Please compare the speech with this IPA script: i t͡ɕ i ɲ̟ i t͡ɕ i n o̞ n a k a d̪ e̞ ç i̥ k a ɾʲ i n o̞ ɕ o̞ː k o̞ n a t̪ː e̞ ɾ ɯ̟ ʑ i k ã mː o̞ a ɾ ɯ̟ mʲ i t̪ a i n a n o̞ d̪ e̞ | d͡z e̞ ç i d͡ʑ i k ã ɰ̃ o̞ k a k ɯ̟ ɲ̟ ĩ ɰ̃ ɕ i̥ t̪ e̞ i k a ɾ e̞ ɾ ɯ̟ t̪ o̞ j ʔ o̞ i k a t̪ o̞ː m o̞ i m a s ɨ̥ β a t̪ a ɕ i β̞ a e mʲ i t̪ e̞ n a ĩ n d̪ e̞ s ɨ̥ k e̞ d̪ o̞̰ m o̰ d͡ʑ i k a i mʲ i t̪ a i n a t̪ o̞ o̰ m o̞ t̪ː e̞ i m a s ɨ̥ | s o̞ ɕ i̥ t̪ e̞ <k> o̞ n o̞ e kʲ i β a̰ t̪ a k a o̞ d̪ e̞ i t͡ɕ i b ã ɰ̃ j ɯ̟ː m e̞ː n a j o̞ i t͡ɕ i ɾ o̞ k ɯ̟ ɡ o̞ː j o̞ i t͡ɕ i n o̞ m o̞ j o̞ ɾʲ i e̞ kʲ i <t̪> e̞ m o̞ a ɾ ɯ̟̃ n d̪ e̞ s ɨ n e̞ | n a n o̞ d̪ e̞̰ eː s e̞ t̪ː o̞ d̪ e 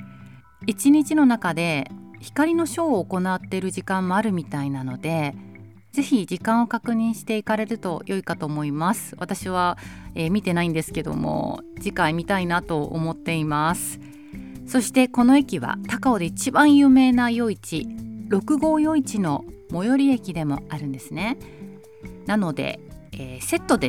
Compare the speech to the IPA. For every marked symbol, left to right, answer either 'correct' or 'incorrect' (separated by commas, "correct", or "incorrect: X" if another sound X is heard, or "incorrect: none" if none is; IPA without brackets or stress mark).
correct, incorrect: d̪